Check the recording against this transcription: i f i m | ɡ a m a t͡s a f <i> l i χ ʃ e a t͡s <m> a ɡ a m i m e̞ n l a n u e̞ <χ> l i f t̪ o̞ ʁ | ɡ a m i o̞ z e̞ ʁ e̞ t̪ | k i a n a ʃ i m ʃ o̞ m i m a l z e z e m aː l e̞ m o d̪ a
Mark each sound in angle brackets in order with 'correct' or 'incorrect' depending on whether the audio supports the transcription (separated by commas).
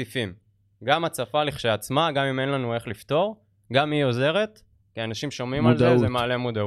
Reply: incorrect, correct, correct